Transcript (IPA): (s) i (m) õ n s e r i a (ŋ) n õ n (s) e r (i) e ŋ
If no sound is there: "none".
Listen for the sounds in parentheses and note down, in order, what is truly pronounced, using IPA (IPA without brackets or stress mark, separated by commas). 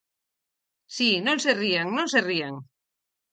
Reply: s, n, ŋ, s, i